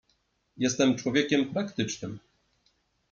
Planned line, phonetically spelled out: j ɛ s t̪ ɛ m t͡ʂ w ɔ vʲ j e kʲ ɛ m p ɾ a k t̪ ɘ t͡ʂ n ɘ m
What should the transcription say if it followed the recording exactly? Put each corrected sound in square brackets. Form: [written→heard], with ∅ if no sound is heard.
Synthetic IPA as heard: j ɛ s t̪ ɛ m t͡ʂ w ɔ vʲ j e kʲ ɛ m p ɾ a k t̪ ɘ t͡ʂ n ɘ m